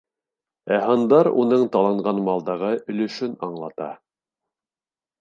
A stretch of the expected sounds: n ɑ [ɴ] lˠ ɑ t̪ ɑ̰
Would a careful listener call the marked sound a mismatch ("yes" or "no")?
no